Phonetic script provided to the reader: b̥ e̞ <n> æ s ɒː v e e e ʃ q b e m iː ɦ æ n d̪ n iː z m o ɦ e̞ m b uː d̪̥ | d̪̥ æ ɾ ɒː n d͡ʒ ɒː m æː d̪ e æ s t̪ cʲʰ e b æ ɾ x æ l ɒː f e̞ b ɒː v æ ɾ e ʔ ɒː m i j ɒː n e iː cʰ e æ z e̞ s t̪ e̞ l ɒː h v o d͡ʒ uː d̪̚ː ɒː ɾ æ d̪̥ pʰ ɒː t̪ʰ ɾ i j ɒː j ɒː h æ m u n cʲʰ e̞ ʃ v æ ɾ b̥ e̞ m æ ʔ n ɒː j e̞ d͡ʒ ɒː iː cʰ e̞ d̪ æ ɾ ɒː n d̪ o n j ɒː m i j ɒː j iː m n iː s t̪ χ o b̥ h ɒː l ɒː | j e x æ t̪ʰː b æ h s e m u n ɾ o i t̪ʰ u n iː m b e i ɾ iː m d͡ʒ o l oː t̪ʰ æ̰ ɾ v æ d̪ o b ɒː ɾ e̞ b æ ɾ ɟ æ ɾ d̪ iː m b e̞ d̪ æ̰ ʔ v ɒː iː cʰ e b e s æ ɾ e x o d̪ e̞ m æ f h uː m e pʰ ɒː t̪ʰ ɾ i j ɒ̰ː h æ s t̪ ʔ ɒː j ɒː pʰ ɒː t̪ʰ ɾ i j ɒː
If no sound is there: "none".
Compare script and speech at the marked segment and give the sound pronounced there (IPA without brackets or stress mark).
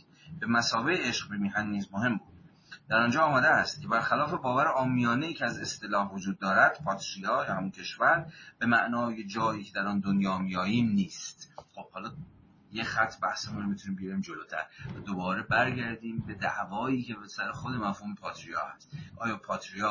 m